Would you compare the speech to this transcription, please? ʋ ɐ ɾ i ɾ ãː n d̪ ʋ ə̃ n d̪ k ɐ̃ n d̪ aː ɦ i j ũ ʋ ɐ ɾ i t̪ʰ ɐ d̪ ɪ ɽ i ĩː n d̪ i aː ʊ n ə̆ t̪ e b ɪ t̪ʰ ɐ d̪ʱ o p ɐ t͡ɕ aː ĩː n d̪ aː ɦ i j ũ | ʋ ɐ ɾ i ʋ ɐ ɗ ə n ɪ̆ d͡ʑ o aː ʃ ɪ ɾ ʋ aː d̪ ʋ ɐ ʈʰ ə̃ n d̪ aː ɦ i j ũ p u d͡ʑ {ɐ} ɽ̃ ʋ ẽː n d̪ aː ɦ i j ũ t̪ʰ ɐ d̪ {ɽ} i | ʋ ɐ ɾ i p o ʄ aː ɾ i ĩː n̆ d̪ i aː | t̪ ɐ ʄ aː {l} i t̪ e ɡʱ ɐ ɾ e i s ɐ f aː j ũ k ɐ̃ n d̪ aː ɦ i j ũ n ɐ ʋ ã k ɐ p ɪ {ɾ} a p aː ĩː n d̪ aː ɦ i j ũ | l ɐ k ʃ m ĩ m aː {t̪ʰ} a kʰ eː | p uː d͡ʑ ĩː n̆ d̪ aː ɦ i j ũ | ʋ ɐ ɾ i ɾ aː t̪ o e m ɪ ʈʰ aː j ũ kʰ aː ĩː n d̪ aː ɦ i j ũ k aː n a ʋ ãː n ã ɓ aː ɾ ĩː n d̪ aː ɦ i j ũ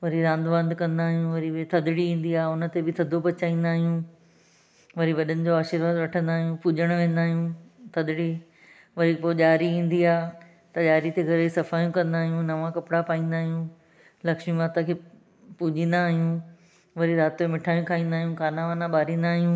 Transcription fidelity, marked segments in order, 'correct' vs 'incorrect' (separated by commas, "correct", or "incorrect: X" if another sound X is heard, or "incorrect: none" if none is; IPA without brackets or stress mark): incorrect: ə, correct, incorrect: ɾ, incorrect: ɽ, incorrect: t̪